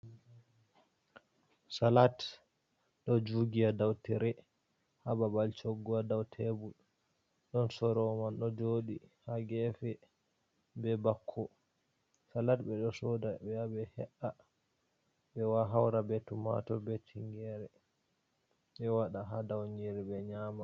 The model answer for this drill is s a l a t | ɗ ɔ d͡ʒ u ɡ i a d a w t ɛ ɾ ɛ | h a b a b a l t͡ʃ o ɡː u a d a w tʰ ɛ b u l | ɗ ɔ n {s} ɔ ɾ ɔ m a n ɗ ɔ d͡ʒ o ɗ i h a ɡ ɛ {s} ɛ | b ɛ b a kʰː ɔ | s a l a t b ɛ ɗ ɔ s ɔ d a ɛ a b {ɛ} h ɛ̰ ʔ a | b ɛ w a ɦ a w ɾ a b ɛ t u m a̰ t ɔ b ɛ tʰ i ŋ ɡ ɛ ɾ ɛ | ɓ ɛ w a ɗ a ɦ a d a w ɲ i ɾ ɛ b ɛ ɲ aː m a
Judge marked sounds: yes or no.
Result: yes, no, yes

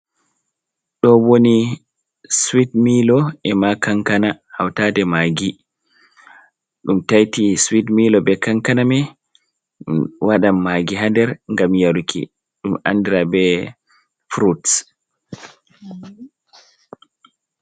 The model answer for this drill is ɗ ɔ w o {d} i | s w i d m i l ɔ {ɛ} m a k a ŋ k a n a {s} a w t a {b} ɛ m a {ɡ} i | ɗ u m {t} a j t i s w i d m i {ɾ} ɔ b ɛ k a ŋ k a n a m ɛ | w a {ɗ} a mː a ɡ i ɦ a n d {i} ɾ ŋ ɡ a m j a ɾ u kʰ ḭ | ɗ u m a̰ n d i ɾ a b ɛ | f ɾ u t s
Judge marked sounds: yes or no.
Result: no, yes, no, no, yes, yes, no, yes, no

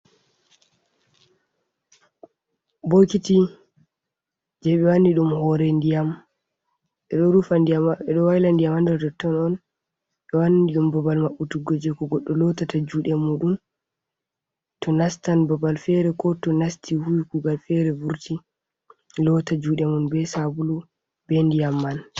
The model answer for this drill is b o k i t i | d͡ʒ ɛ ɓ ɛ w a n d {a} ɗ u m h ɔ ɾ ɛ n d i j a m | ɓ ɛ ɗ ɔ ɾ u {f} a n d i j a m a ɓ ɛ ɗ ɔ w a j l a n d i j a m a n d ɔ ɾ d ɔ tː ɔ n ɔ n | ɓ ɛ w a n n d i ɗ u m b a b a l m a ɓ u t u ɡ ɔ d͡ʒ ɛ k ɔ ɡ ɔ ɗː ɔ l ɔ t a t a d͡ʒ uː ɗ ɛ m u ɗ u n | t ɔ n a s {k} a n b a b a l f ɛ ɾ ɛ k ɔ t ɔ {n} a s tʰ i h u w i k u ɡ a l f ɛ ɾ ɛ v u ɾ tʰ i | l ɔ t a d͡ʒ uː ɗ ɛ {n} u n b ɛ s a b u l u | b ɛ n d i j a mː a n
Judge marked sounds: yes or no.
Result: no, yes, no, yes, no

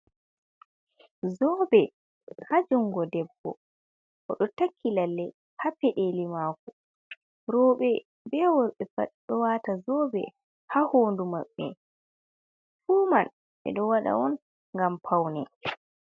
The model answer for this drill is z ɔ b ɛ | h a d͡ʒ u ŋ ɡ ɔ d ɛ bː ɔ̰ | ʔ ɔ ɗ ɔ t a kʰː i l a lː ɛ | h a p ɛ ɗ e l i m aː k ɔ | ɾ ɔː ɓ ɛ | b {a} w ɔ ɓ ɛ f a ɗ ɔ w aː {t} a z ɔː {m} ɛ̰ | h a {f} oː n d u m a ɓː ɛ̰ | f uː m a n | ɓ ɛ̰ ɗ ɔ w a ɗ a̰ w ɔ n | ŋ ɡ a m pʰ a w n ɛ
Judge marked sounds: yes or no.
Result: no, yes, no, no

